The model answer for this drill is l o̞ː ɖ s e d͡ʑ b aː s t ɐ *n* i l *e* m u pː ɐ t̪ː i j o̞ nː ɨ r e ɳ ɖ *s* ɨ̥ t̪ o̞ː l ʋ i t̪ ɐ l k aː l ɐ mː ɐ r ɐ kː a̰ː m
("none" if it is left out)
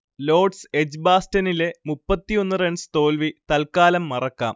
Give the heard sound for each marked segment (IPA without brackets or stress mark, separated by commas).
n, e, s